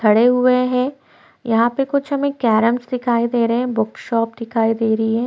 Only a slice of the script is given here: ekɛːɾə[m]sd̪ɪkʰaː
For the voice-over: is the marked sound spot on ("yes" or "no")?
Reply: yes